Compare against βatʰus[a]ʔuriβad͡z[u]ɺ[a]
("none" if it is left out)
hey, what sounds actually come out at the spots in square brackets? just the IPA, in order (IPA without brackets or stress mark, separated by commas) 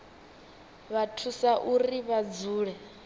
a, uː, ɛ